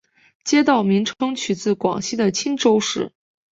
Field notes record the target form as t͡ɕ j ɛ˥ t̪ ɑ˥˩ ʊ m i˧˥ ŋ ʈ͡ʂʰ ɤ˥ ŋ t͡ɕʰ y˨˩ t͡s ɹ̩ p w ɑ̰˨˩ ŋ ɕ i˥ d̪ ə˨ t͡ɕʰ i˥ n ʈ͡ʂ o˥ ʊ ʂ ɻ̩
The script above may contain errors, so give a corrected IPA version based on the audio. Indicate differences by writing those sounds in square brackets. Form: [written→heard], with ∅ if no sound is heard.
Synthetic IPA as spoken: t͡ɕ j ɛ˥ t̪ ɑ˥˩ ʊ m i˧˥ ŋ ʈ͡ʂʰ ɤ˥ ŋ t͡ɕʰ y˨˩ t͡s ɹ̩ [p→k] w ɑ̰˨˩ ŋ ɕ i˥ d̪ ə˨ t͡ɕʰ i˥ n ʈ͡ʂ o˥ ʊ ʂ ɻ̩